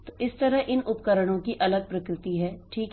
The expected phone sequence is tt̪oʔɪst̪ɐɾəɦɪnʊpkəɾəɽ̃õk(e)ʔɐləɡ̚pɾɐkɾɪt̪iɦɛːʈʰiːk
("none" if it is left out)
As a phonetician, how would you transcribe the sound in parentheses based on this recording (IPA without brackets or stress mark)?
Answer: i